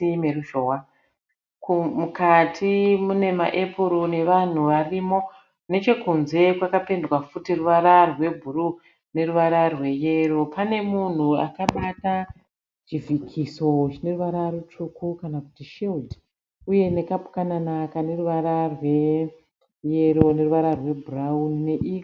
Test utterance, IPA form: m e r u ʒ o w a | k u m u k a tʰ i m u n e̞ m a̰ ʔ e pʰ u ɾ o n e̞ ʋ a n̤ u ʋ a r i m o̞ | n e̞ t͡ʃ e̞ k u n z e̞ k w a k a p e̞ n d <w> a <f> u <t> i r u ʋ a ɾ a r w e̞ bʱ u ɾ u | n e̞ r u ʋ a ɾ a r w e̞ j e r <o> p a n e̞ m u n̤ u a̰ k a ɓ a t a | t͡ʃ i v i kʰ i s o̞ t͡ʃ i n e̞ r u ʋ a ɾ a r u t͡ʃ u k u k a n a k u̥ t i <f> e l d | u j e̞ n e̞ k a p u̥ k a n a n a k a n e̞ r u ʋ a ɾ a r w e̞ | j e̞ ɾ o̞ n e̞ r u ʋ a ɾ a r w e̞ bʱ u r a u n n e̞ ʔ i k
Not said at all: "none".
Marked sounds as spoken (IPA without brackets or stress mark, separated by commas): w, f, t, o, ʃ